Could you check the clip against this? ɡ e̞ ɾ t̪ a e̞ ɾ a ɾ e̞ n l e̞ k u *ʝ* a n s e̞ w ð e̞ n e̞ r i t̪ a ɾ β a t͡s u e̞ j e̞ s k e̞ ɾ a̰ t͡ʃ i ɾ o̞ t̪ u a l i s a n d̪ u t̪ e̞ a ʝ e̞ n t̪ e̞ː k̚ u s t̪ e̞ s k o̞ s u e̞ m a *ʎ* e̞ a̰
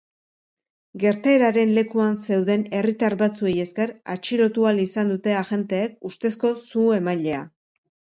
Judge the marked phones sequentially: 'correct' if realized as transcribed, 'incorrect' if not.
incorrect, correct

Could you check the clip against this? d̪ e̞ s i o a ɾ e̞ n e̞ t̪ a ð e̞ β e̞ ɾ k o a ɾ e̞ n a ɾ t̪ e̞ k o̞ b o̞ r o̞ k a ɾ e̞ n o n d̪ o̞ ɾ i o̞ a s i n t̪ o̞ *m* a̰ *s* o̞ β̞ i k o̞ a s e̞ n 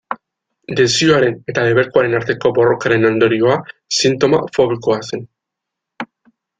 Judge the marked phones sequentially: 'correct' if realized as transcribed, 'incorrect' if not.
correct, incorrect

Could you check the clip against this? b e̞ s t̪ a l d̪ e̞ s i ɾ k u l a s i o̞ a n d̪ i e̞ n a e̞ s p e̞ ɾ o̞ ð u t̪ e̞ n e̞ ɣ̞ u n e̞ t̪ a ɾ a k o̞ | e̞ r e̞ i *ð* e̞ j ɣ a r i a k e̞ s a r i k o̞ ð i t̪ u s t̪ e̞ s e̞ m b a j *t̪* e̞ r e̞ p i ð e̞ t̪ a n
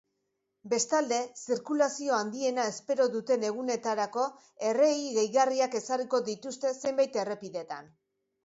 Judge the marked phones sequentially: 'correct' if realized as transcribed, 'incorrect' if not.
incorrect, correct

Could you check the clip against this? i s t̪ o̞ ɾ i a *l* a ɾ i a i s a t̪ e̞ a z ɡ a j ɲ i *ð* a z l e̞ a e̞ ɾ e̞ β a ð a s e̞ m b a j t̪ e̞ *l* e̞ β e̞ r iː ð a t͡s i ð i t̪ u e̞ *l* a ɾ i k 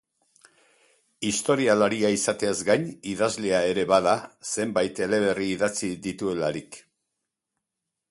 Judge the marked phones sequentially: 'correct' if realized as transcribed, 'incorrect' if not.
correct, correct, correct, correct

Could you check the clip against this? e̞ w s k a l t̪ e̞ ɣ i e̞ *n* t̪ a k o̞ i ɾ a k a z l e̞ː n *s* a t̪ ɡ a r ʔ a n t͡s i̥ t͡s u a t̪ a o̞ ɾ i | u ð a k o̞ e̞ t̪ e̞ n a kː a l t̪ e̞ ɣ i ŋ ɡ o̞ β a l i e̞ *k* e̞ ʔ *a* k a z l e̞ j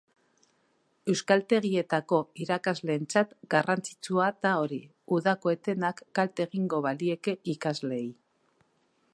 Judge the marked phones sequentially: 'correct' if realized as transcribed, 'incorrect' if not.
incorrect, incorrect, correct, incorrect

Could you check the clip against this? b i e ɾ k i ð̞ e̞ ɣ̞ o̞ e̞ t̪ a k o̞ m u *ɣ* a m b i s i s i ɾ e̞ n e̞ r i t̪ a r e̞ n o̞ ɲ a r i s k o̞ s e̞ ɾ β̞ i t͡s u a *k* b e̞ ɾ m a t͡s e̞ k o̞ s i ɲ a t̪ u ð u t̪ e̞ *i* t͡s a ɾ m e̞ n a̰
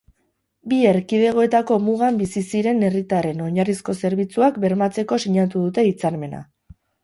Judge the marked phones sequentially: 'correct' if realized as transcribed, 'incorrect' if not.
correct, correct, correct

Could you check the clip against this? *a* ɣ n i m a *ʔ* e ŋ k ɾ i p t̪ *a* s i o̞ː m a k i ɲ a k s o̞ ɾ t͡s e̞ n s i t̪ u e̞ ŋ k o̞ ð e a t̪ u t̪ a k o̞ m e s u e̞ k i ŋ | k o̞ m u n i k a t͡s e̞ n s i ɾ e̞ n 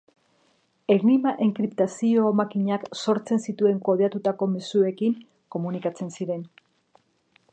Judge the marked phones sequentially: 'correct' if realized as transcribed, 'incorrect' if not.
incorrect, correct, correct

